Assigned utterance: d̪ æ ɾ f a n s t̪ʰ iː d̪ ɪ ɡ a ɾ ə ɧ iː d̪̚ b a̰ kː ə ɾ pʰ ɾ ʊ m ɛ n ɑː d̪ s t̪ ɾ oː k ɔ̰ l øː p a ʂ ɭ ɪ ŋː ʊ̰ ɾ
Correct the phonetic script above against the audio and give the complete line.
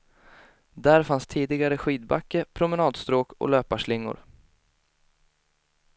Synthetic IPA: d̪ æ ɾ f a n s t̪ʰ iː d̪ ɪ ɡ a ɾ ə ɧ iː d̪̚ b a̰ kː ə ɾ pʰ ɾ ʊ m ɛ n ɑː d̪ s t̪ ɾ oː k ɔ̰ l øː p a ʂ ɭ ɪ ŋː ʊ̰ ɾ